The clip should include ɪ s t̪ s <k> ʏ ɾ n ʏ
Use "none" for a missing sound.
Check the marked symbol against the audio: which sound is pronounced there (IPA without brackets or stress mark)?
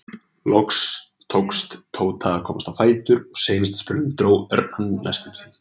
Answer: p